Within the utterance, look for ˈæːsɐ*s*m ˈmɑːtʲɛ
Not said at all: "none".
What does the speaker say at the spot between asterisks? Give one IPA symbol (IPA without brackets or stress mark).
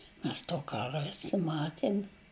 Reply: none